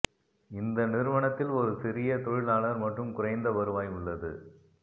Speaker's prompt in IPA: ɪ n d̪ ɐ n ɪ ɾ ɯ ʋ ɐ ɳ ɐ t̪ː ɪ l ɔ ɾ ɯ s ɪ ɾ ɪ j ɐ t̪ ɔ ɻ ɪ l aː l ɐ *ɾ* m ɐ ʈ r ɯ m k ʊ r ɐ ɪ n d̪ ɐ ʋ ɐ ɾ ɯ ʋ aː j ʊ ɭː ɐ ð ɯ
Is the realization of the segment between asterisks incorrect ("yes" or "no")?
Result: no